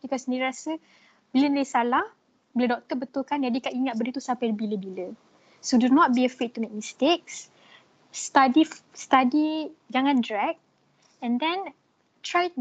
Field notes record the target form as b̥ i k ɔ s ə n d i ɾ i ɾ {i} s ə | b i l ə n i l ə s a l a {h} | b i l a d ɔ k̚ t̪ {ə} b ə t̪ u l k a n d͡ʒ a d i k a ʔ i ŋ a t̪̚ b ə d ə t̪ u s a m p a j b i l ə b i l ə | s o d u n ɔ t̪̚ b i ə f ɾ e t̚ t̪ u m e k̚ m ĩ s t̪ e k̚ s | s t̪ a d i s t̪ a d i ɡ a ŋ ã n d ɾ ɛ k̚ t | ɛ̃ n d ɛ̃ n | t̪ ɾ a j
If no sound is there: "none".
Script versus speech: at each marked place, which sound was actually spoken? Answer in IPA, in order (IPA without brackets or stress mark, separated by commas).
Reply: a, h, ə